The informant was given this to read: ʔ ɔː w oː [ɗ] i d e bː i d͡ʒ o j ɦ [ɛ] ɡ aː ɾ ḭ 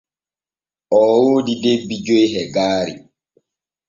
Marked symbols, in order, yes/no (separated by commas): no, yes